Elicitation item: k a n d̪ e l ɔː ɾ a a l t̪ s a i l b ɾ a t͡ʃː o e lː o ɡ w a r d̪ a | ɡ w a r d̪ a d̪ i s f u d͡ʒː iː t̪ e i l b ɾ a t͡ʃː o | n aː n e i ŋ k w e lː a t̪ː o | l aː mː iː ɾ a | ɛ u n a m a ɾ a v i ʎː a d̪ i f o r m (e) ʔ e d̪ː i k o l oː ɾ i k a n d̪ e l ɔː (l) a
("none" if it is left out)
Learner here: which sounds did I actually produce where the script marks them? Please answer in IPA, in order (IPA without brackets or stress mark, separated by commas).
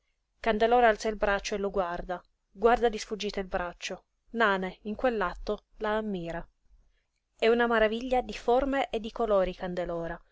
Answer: e, ɾ